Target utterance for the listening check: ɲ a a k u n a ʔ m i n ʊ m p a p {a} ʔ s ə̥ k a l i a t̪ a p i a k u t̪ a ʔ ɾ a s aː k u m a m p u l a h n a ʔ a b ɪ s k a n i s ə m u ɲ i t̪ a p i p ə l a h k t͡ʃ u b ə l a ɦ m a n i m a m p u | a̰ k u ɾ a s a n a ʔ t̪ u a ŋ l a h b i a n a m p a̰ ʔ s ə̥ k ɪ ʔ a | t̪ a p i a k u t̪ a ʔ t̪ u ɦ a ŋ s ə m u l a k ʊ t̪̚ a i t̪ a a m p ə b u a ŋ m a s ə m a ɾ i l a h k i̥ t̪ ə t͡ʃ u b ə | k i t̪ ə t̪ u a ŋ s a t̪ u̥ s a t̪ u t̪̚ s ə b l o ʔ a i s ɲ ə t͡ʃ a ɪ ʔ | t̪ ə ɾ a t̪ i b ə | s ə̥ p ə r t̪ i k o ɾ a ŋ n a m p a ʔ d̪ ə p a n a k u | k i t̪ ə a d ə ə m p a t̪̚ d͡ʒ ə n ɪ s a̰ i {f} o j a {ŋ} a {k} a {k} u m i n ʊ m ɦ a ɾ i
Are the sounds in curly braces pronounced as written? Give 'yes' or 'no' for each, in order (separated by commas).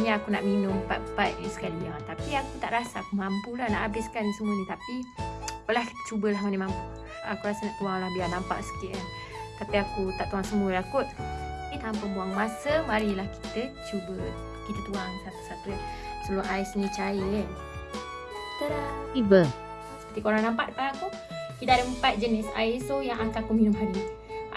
yes, no, yes, yes, yes